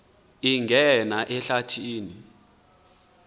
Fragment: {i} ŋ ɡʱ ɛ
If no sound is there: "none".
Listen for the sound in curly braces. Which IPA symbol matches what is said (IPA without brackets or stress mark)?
i